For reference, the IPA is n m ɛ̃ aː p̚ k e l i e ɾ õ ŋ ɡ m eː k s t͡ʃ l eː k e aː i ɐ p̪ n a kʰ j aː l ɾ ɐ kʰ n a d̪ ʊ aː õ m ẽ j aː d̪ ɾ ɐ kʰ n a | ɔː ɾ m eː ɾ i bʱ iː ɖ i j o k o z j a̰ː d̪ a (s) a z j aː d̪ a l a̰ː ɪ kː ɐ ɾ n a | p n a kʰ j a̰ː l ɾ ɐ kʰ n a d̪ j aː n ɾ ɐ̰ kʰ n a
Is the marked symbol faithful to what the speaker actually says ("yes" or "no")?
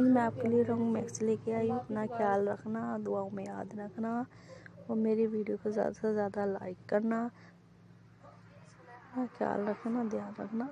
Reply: yes